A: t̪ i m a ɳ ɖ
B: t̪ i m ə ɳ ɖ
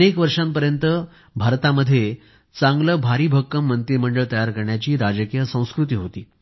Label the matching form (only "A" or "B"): B